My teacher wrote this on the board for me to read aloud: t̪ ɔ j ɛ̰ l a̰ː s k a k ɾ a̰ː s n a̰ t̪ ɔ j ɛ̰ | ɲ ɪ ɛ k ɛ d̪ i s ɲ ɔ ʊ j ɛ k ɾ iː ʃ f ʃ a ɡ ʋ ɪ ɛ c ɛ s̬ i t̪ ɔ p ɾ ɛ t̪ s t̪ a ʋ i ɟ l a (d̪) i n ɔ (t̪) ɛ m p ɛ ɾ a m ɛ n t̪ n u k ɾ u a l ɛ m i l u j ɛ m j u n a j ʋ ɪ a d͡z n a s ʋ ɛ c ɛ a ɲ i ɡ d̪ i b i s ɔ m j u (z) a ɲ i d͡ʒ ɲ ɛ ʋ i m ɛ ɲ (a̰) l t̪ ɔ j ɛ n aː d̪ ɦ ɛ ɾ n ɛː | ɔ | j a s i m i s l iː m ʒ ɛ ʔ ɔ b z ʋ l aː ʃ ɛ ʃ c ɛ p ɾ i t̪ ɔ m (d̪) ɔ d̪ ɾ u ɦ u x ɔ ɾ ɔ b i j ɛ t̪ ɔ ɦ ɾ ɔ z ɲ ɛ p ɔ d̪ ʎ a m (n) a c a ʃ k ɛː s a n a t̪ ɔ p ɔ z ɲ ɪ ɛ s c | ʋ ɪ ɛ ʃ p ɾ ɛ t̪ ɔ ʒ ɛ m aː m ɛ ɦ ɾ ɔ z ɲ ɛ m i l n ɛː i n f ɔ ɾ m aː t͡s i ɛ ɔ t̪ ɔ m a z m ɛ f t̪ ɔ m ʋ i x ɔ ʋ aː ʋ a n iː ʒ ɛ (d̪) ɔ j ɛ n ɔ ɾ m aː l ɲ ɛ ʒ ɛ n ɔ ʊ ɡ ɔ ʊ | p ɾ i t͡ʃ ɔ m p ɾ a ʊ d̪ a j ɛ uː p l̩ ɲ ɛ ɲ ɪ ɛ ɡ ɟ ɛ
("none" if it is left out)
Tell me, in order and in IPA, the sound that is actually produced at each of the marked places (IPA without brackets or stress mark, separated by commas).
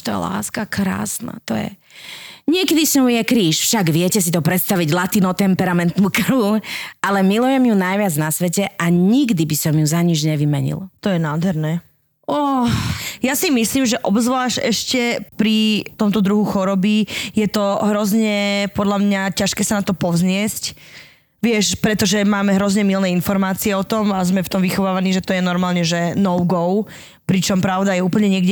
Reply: t̪, t̪, z, ḭ, t̪, ɲ, t̪